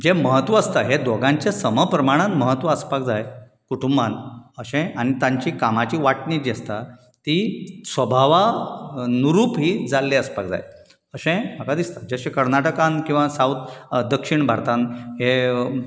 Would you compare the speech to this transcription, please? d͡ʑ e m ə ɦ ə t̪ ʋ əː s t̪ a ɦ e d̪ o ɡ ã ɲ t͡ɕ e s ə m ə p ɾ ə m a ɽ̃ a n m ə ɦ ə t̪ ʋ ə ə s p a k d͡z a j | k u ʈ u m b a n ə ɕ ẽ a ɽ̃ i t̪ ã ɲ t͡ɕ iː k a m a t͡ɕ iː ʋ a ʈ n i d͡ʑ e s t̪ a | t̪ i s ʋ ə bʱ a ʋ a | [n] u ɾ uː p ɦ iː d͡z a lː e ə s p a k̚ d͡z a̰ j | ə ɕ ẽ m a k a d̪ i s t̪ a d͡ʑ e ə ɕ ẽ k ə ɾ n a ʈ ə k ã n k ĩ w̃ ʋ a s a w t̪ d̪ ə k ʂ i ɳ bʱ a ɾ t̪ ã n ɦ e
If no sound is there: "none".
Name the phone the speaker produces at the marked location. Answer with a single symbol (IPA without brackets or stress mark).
n